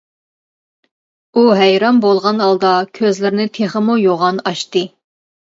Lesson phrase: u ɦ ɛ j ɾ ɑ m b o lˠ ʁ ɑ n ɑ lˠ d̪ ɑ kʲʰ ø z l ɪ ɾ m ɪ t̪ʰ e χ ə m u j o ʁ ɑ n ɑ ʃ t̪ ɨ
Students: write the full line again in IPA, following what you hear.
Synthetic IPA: u ɦ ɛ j ɾ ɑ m b o lˠ ʁ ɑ n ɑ lˠ d̪ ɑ kʲʰ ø z l ɪ ɾ n ɪ t̪ʰ e χ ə m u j o ʁ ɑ n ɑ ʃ t̪ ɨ